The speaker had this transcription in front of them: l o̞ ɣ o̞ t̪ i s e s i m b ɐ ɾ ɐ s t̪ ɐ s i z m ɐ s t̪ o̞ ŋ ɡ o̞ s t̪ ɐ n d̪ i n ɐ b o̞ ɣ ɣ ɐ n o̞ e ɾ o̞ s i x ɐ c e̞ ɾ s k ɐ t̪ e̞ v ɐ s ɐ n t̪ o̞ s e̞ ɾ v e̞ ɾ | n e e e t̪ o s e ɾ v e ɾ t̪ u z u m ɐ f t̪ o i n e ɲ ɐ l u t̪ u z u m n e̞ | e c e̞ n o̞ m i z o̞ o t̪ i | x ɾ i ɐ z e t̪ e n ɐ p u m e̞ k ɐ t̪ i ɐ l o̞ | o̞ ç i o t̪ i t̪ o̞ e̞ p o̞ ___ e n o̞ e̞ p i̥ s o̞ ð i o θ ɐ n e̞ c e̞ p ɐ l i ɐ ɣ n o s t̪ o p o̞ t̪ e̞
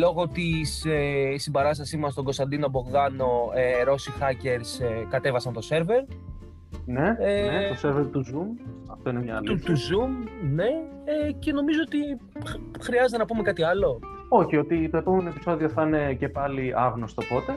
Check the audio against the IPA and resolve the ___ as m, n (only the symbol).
m